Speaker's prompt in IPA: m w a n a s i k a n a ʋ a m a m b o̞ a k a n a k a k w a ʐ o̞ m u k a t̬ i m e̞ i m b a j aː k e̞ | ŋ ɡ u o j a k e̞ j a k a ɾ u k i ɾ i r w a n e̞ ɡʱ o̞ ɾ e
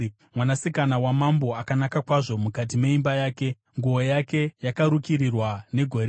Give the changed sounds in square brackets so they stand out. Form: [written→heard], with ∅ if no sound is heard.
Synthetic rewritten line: m w a n a s i k a n a [ʋ→w] a m a m b o̞ a k a n a k a k w a ʐ o̞ m u k a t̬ i m e̞ i m b a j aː k e̞ | ŋ ɡ u o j a k e̞ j a k a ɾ u k i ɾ i r w a n e̞ ɡʱ o̞ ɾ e